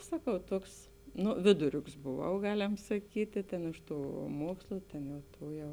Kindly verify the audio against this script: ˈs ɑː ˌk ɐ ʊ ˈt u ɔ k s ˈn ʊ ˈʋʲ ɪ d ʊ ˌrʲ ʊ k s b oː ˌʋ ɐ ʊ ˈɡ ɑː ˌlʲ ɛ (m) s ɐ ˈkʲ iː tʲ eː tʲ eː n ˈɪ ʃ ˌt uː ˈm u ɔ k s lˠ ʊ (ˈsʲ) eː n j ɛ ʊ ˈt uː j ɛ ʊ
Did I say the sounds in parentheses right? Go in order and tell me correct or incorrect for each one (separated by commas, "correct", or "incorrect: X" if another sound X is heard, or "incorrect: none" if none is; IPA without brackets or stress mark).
correct, incorrect: tʲ